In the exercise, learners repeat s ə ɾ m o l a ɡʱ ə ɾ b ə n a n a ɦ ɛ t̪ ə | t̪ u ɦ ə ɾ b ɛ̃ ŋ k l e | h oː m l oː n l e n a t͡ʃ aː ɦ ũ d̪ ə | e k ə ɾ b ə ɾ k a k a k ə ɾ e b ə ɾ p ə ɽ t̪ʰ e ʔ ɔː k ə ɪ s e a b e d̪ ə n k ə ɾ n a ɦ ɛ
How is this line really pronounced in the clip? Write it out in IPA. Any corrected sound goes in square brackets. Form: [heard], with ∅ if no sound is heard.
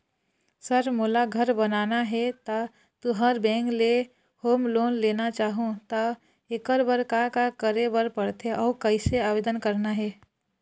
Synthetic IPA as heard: s ə ɾ m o l a ɡʱ ə ɾ b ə n a n a ɦ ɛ t̪ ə | t̪ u ɦ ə ɾ b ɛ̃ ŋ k l e | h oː m l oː n l e n a t͡ʃ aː ɦ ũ [t̪] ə | e k ə ɾ b ə ɾ k a k a k ə ɾ e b ə ɾ p ə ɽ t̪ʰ e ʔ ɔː k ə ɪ s e a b e d̪ ə n k ə ɾ n a ɦ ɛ